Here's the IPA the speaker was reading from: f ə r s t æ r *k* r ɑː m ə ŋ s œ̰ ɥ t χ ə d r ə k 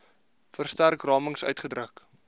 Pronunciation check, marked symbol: correct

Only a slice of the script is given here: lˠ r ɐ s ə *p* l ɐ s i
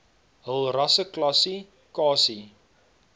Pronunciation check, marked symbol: incorrect: k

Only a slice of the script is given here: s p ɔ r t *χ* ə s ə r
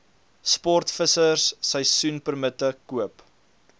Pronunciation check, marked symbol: incorrect: f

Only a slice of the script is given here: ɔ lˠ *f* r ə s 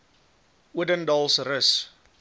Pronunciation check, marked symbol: incorrect: s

